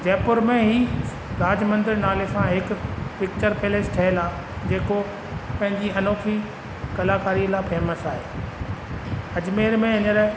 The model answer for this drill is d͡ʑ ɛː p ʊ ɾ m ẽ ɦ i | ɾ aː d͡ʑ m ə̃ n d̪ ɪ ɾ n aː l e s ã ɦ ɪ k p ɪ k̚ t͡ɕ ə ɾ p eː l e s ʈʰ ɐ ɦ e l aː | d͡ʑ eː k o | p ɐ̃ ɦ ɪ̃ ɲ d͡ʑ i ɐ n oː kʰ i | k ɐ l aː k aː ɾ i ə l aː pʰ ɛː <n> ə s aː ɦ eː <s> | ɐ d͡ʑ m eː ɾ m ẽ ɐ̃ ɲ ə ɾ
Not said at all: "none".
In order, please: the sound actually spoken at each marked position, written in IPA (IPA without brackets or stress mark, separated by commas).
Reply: m, none